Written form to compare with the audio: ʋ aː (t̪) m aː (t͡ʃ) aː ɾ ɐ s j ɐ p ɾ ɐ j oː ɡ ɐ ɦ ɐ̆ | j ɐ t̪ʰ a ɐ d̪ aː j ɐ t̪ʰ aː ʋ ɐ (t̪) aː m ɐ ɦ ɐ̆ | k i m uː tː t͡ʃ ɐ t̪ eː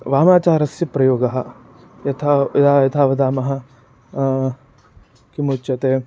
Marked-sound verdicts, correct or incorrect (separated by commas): incorrect, correct, incorrect